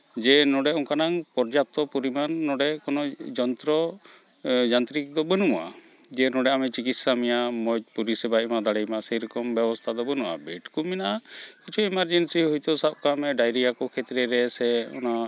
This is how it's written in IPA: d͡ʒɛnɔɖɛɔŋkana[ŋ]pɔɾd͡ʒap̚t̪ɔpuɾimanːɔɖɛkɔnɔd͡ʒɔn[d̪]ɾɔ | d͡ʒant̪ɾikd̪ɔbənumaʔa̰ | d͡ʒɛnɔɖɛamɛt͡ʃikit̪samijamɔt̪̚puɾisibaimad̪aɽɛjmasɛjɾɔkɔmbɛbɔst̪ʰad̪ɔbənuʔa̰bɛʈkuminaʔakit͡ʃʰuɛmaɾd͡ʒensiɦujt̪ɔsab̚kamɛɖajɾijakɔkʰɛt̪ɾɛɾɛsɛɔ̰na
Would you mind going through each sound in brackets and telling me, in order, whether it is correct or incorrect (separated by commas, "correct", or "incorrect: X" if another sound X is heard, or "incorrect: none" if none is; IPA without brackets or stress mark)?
correct, incorrect: t̪